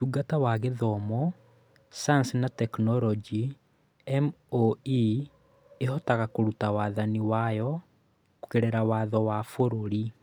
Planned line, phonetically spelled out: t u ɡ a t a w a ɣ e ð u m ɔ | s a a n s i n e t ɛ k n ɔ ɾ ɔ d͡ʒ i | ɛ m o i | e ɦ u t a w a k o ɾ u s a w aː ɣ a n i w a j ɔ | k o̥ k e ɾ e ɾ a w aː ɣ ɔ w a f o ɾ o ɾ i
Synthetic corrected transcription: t u ɡ a t a w a ɣ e ð ɔ m ɔ | s a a n s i n a t ɛ k n ɔ ɾ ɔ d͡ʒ i | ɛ m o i | e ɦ ɔ t a ɣ a k o ɾ u t a w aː ð a n i w a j ɔ | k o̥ k e ɾ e ɾ a w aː ð ɔ w a f o ɾ o ɾ i